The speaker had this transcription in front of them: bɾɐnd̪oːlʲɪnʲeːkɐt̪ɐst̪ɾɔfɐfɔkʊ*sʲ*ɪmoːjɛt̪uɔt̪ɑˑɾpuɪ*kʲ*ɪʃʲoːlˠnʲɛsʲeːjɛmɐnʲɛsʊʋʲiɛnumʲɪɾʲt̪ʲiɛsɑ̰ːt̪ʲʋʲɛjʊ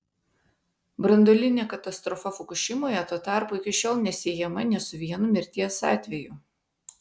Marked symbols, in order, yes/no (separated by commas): no, yes